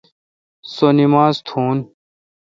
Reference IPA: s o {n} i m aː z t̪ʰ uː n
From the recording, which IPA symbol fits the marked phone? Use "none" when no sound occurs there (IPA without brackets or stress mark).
n